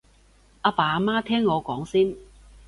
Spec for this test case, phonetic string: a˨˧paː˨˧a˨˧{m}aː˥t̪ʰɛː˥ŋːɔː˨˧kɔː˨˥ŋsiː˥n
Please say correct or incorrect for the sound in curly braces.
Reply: correct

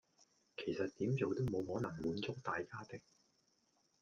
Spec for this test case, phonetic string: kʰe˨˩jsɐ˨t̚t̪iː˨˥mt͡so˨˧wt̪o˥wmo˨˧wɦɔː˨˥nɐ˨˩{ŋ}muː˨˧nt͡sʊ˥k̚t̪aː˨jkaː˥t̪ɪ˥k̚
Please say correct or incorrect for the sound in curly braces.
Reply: correct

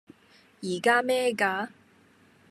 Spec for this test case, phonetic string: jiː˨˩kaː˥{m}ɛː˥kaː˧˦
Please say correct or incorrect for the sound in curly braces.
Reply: correct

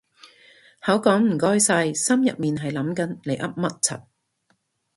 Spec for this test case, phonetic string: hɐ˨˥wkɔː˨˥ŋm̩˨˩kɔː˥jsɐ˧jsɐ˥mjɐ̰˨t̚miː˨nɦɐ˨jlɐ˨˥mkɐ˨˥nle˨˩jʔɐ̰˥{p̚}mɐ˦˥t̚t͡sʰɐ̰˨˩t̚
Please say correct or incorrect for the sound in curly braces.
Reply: correct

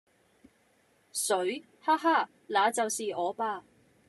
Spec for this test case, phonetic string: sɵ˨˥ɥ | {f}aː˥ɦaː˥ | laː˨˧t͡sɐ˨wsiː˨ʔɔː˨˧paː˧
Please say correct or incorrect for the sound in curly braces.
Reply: incorrect: h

